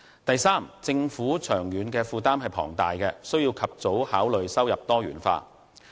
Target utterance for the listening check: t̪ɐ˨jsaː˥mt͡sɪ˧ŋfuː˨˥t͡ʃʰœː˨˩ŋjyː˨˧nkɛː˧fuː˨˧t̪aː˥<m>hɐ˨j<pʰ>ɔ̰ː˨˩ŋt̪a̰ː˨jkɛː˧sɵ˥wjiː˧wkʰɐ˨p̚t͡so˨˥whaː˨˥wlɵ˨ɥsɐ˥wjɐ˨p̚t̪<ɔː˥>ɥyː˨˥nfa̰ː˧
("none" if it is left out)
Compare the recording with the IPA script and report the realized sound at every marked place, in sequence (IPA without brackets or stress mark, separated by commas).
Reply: m, pʰ, ɔː˥